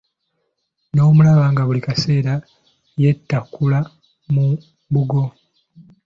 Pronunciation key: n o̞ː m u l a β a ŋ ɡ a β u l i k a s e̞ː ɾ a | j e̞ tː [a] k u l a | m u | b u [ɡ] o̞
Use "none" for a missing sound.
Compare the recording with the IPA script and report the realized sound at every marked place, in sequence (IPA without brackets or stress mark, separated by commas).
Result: a, ɡ